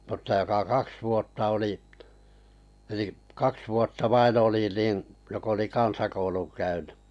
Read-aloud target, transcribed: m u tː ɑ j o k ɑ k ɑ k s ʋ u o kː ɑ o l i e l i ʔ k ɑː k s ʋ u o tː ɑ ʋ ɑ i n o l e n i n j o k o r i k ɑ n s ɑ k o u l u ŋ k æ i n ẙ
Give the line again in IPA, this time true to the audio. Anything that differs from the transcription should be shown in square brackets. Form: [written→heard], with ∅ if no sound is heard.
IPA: m u tː ɑ j o k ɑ k ɑ k s ʋ u o [kː→tː] ɑ o l i e l i ʔ k [ɑː→ɑ] k s ʋ u o tː ɑ ʋ ɑ i n o l [e→i] n i n j o k o [r→l] i k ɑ n s ɑ k o u l u ŋ k æ [i→y] n ẙ